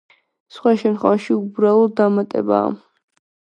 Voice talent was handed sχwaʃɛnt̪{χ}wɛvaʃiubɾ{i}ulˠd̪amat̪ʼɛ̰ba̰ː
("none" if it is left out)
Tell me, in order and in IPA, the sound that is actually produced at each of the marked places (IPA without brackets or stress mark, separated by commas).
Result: χ, a